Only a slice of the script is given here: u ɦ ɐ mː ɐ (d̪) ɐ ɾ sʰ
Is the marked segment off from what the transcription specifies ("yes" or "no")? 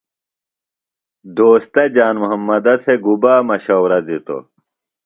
no